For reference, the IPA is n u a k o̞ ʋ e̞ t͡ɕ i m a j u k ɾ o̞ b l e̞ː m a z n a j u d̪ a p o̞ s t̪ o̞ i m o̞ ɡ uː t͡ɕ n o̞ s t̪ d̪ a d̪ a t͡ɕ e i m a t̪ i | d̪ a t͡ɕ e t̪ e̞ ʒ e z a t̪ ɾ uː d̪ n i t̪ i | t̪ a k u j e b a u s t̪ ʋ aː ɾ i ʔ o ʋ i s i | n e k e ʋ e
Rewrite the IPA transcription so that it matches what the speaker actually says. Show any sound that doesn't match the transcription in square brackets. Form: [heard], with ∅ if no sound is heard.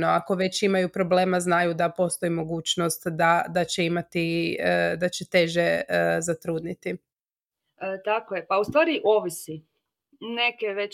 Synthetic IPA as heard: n [o] a k o̞ ʋ e̞ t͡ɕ i m a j u [p] ɾ o̞ b l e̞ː m a z n a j u d̪ a p o̞ s t̪ o̞ i m o̞ ɡ uː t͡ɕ n o̞ s t̪ d̪ a d̪ a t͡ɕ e i m a t̪ i | d̪ a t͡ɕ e t̪ e̞ ʒ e z a t̪ ɾ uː d̪ n i t̪ i | t̪ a k [o] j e [p] a u s t̪ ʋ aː ɾ i ʔ o ʋ i s i | n e k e ʋ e